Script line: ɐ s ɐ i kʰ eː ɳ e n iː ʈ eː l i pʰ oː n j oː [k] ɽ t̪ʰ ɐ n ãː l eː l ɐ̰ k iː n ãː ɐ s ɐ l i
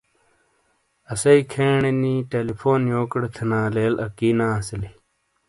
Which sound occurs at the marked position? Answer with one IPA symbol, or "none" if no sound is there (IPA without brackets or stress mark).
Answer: k